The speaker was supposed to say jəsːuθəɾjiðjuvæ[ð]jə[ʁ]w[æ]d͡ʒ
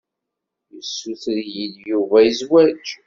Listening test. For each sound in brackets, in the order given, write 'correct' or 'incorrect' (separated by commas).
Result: incorrect, incorrect, correct